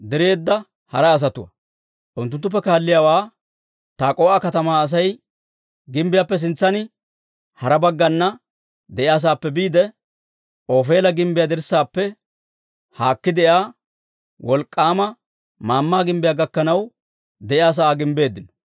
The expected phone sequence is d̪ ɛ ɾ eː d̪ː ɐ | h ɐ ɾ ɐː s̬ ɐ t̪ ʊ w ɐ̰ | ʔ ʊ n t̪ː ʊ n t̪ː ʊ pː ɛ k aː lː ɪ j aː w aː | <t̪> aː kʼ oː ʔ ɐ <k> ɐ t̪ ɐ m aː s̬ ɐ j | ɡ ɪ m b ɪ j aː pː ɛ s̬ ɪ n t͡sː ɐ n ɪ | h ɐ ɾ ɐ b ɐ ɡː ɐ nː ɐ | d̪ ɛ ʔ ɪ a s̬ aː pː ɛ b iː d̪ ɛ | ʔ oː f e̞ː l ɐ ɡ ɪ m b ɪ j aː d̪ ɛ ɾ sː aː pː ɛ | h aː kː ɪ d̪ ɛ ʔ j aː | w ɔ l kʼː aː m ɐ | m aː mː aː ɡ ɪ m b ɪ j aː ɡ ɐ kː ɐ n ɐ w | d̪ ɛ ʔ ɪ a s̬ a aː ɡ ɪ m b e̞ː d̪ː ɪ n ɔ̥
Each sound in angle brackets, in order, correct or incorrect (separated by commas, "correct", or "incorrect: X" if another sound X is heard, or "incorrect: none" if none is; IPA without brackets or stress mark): correct, correct